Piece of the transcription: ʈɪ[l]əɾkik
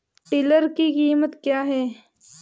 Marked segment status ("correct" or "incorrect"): correct